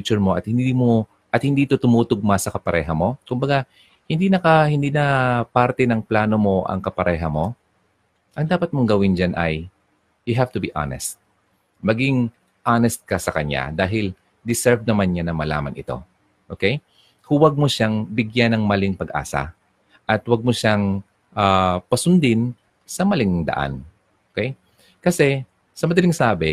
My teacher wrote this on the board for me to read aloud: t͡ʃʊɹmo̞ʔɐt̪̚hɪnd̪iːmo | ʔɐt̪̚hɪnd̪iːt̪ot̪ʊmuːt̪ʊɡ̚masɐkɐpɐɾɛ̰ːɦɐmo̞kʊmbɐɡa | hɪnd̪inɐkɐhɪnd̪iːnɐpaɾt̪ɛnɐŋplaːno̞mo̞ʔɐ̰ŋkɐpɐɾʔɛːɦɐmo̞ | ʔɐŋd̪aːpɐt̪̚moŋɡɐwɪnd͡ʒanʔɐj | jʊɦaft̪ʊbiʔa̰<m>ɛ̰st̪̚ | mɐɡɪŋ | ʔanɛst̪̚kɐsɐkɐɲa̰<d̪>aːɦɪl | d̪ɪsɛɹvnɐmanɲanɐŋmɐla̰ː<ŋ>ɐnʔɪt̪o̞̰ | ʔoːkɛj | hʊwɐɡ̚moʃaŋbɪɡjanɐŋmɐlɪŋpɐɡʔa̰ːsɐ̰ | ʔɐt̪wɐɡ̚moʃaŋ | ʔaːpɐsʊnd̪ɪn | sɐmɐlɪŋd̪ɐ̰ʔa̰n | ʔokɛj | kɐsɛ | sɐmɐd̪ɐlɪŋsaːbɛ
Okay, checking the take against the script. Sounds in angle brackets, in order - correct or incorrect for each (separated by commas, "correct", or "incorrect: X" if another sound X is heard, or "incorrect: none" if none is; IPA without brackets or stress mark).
incorrect: n, correct, incorrect: m